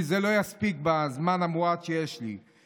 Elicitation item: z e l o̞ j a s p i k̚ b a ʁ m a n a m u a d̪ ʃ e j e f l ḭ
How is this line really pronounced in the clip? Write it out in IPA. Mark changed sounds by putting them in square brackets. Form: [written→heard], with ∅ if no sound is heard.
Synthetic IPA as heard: z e l o̞ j a s p i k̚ b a [ʁ→z] m a n a m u a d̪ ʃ e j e [f→ʃ] l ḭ

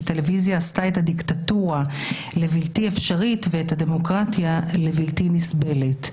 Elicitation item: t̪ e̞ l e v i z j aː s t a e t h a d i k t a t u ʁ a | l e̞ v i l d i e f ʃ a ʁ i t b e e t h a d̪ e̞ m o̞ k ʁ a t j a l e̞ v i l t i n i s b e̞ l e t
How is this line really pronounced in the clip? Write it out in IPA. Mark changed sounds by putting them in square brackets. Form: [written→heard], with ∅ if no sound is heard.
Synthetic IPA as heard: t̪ e̞ l e v i z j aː s t a e t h a d i k t a t u ʁ a | l e̞ v i l [d→t] i e f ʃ a ʁ i t [b→v] e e t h a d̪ e̞ m o̞ k ʁ a t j a l e̞ v i l t i n i s b e̞ l e t

